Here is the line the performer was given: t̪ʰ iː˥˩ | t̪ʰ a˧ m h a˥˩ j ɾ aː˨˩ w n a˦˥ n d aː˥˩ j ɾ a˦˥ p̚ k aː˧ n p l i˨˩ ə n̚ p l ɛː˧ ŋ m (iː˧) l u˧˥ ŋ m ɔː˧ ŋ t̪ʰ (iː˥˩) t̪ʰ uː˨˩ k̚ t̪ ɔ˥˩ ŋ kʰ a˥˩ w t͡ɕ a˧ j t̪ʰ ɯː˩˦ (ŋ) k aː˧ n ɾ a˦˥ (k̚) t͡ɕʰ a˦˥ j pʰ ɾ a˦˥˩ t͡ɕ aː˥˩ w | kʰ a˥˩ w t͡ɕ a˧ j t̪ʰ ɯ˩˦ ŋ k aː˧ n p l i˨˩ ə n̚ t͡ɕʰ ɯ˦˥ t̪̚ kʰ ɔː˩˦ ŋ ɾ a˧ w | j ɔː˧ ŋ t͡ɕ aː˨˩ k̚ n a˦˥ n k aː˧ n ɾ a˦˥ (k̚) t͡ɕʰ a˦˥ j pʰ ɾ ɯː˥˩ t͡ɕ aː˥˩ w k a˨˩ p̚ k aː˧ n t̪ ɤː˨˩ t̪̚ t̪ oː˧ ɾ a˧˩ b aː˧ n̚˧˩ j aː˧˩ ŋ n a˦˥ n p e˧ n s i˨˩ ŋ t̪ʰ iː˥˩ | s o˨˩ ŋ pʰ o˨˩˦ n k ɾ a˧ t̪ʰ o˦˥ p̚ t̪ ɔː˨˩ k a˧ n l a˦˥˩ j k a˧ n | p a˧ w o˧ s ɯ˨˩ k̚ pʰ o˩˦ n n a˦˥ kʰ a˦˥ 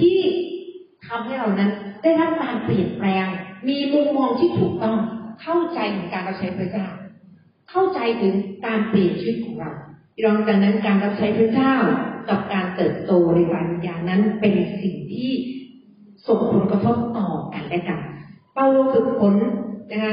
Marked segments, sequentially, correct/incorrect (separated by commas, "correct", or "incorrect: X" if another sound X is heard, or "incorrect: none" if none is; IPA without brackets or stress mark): correct, correct, correct, incorrect: p̚, incorrect: p̚